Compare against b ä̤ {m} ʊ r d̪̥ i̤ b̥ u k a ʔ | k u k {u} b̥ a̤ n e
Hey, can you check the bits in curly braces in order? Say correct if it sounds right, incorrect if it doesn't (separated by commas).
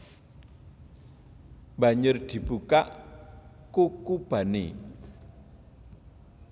incorrect, correct